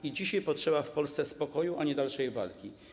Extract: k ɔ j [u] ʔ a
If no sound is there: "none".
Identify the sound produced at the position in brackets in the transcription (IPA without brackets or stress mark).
u